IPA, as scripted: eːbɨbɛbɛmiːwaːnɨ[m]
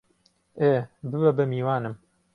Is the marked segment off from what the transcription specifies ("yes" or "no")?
no